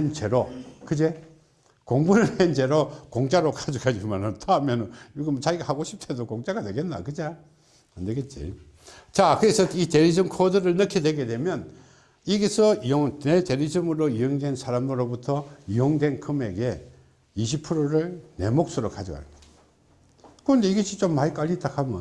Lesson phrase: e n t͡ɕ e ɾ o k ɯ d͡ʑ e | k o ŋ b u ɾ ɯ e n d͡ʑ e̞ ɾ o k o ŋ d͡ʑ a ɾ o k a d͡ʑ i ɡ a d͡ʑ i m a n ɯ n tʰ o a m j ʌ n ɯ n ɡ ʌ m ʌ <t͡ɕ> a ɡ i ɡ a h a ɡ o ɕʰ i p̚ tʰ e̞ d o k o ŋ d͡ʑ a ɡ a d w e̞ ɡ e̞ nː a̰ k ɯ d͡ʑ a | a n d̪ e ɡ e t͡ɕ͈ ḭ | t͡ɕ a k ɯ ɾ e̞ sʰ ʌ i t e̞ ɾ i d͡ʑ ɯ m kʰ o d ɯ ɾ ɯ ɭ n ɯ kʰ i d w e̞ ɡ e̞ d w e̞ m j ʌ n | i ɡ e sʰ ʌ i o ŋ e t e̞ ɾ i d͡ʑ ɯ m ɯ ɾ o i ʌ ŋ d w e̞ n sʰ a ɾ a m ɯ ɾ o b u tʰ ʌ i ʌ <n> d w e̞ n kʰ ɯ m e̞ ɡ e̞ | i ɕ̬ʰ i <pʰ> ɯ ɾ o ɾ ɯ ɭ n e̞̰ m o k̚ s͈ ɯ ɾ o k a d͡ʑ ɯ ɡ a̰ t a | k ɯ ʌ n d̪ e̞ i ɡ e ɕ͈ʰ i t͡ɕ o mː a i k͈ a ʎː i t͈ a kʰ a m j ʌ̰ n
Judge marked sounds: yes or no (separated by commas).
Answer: yes, no, yes